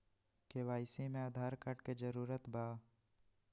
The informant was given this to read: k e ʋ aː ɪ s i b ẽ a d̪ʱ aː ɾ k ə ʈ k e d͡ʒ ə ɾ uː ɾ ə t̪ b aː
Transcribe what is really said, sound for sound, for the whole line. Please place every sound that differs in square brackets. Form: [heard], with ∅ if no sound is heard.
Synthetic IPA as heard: k e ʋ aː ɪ s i [m] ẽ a d̪ʱ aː ɾ k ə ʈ k e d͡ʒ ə ɾ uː ɾ ə t̪ b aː